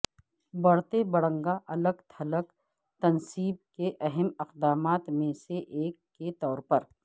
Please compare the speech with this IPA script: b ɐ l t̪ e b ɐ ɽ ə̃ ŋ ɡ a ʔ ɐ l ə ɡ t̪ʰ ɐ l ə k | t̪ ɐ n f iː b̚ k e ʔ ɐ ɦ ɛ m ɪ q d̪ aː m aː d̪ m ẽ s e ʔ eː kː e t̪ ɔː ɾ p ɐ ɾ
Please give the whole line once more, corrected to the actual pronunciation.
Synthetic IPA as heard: b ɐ ɽ t̪ e b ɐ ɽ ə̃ ŋ ɡ a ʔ ɐ l ə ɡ t̪ʰ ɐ l ə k | t̪ ɐ n s iː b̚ k e ʔ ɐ ɦ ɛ m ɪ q d̪ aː m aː t̪ m ẽ s e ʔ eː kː e t̪ ɔː ɾ p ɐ ɾ